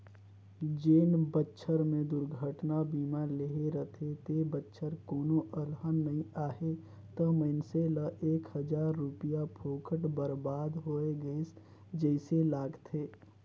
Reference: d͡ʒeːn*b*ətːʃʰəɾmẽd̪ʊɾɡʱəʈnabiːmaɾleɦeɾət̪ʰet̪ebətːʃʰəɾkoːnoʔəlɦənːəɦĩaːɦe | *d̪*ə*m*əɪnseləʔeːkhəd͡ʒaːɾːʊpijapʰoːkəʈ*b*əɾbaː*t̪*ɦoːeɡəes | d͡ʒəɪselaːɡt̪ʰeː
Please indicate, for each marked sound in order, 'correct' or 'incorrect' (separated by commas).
correct, incorrect, correct, correct, incorrect